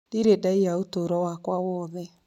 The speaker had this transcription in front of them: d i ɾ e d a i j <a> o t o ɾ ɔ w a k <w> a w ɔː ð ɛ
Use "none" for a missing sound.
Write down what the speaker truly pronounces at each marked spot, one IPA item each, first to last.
a, w

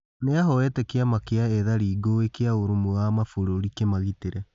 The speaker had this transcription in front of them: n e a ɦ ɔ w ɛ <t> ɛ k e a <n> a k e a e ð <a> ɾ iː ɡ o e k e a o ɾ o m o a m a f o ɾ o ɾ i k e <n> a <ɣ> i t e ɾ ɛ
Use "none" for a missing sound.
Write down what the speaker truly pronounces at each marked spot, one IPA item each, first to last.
t, m, a, m, ɣ

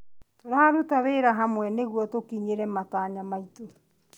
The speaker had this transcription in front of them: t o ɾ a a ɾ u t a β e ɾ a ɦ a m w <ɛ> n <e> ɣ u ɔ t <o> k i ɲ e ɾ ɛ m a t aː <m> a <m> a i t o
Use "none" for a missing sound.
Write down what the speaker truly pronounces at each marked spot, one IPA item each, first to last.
ɛ, e, o, ɲ, m

